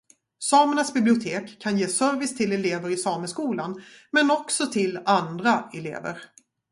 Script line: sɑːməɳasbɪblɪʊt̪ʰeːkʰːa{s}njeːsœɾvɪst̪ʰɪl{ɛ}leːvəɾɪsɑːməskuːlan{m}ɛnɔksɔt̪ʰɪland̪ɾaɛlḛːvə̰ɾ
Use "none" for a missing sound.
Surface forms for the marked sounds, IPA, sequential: none, ɛ, m

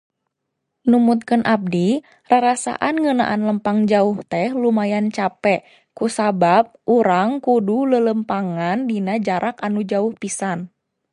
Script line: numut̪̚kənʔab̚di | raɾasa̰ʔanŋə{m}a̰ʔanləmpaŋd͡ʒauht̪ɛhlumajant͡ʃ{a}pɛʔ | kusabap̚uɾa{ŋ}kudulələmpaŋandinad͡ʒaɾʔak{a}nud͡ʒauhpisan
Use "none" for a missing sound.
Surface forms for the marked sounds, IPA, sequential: n, a, ŋ, a

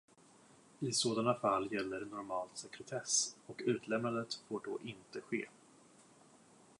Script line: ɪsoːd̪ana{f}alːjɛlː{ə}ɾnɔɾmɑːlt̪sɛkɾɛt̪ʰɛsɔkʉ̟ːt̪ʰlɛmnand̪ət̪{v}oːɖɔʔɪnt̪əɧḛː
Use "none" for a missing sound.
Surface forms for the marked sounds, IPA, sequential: f, ə, f

